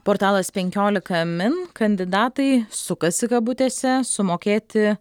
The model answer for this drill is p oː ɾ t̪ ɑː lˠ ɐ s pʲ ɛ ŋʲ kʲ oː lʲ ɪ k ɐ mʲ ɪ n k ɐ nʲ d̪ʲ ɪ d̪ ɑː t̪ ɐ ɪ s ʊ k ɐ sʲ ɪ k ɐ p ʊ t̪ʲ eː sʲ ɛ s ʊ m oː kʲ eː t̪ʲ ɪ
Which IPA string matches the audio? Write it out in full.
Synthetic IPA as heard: p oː ɾ t̪ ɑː lˠ ɐ s pʲ ɛ ŋʲ kʲ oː lʲ ɪ k ɐ mʲ ɪ n k ɐ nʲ d̪ʲ ɪ d̪ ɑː t̪ ɐ ɪ s ʊ k ɐ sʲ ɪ k ɐ b ʊ t̪ʲ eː sʲ ɛ s ʊ m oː kʲ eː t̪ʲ ɪ

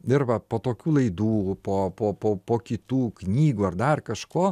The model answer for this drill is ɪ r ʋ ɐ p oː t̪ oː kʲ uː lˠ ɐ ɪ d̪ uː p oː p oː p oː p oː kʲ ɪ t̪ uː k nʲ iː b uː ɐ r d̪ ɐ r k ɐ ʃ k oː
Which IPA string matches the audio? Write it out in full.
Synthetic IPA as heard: ɪ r ʋ ɐ p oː t̪ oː kʲ uː lˠ ɐ ɪ d̪ uː p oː p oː p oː p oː kʲ ɪ t̪ uː k nʲ iː ɡ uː ɐ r d̪ ɐ r k ɐ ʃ k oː

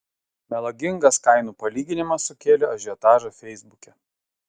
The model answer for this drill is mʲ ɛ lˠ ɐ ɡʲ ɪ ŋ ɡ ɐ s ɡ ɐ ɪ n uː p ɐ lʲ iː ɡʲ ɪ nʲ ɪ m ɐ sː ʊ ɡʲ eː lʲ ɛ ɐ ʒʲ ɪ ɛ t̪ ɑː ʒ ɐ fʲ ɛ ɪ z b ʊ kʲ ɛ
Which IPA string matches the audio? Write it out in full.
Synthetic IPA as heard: mʲ ɛ lˠ ɐ ɡʲ ɪ ŋ ɡ ɐ s k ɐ ɪ n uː p ɐ lʲ iː ɡʲ ɪ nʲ ɪ m ɐ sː ʊ kʲ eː lʲ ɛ ɐ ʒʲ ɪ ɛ t̪ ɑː ʒ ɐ fʲ ɛ ɪ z b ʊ kʲ ɛ

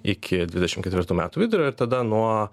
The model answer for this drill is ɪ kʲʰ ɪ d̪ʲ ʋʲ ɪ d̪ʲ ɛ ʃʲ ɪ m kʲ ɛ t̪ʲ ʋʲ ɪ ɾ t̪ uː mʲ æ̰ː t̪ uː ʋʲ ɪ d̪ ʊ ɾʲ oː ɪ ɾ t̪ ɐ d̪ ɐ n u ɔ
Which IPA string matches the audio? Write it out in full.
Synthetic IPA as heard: ɪ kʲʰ ɪ d̪ʲ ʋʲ ɪ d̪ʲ ɛ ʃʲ ɪ m kʲ ɛ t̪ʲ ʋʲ ɪ ɾ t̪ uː mʲ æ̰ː t̪ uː ʋʲ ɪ d̪ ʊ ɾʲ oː ɪ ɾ t̪ ɐ d̪ ɐ n u ɔ

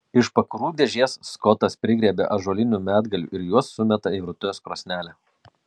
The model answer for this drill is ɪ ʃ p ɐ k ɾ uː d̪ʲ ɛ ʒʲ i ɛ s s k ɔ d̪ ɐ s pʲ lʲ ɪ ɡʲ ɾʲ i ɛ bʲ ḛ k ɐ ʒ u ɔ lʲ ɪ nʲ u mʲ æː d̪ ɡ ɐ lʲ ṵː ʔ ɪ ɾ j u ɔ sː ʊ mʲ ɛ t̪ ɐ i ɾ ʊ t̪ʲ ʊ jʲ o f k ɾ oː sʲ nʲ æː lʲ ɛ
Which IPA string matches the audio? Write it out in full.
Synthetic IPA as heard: ɪ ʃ p ɐ k ɾ uː d̪ʲ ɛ ʒʲ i ɛ s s k ɔ t̪ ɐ s pʲ ɾʲ ɪ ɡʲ ɾʲ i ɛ bʲ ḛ ʔ ɐ ʒ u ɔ lʲ ɪ nʲ u mʲ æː d̪ ɡ ɐ lʲ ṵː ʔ ɪ ɾ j u ɔ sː ʊ mʲ ɛ t̪ ɐ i ɾ ʊ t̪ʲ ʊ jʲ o s k ɾ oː sʲ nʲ æː lʲ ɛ

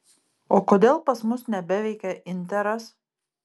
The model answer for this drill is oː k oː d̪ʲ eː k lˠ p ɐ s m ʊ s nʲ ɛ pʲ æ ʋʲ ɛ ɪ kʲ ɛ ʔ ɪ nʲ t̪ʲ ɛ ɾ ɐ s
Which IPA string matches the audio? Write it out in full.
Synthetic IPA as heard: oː k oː d̪ʲ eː lˠ p ɐ s m ʊ s nʲ ɛ bʲ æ ʋʲ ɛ ɪ kʲ ɛ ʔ ɪ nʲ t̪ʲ ɛ ɾ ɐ s

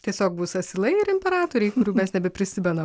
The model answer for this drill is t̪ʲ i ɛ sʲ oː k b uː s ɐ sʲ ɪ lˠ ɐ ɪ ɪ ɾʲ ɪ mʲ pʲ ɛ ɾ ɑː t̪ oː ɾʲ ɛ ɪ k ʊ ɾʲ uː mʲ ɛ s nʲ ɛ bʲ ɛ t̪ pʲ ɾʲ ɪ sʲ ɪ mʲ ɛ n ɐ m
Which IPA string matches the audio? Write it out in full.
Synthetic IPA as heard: t̪ʲ i ɛ sʲ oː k b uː s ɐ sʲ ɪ lˠ ɐ ɪ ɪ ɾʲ ɪ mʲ pʲ ɛ ɾ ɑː t̪ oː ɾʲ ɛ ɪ k ʊ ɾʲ uː mʲ ɛ s nʲ ɛ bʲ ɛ pʲ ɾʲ ɪ sʲ ɪ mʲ ɛ n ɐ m

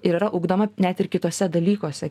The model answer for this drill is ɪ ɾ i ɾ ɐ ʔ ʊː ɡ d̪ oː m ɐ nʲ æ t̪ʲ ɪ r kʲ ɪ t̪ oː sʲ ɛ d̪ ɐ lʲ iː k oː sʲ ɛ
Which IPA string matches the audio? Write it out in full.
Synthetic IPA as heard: ɪ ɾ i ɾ ɐ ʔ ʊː ɡ d̪ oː m ɐ nʲ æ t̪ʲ ɪ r kʲ ɪ t̪ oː sʲ ɛ d̪ ɐ lʲ iː k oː sʲ ɛ

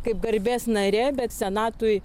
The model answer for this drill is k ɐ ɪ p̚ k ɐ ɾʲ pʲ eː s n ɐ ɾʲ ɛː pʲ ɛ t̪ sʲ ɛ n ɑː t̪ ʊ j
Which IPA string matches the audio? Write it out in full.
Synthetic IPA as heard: k ɐ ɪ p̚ ɡ ɐ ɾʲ bʲ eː s n ɐ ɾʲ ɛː bʲ ɛ t̪ sʲ ɛ n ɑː t̪ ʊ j

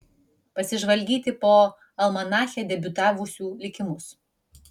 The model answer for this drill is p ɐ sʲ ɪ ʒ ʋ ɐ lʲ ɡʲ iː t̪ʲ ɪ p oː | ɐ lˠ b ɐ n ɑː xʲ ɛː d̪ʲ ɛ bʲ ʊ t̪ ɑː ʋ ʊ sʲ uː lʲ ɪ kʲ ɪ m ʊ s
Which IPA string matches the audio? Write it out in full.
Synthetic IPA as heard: p ɐ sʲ ɪ ʒ ʋ ɐ lʲ ɡʲ iː t̪ʲ ɪ p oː | ɐ lˠ m ɐ n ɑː xʲ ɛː d̪ʲ ɛ bʲ ʊ t̪ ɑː ʋ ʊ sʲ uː lʲ ɪ kʲ ɪ m ʊ s

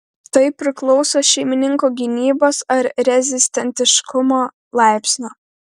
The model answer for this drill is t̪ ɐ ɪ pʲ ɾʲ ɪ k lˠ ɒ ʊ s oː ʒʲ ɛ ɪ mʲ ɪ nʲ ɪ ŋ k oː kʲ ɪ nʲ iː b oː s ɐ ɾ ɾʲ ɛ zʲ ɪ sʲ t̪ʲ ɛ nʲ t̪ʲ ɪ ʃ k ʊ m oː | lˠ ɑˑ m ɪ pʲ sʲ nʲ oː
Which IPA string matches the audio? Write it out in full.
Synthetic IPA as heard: t̪ ɐ ɪ pʲ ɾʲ ɪ k lˠ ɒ ʊ s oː ʃʲ ɛ ɪ mʲ ɪ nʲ ɪ ŋ k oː ɡʲ ɪ nʲ iː b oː s ɐ ɾ ɾʲ ɛ zʲ ɪ sʲ t̪ʲ ɛ nʲ t̪ʲ ɪ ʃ k ʊ m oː | lˠ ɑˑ ɪ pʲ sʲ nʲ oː

